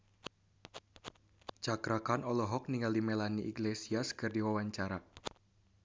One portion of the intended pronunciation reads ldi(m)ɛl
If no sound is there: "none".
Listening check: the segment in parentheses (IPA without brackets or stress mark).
m